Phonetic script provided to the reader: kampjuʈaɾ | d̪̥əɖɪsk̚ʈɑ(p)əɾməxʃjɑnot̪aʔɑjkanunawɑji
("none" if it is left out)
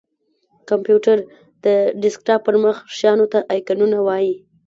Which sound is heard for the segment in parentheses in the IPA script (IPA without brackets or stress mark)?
p